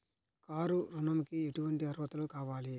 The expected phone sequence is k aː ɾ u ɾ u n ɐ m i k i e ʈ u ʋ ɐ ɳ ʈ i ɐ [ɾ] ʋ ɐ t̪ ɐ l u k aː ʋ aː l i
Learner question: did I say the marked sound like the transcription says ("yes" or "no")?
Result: yes